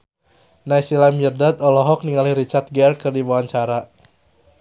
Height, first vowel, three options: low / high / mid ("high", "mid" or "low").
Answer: low